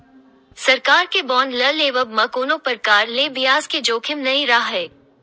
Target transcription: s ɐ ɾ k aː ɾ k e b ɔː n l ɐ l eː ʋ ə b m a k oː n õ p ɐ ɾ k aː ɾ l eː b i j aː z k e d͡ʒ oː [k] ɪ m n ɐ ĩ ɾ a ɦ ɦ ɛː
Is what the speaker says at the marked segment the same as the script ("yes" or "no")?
no